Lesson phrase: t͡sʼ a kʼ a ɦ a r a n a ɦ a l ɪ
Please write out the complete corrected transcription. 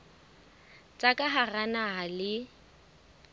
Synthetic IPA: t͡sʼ a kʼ a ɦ a r a n a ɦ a l ɪ